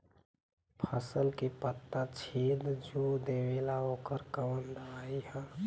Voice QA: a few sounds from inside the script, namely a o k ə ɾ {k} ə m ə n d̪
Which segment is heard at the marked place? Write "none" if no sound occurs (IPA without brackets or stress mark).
k